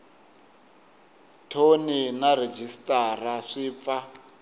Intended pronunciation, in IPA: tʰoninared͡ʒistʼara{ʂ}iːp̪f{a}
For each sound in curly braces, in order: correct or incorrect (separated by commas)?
correct, correct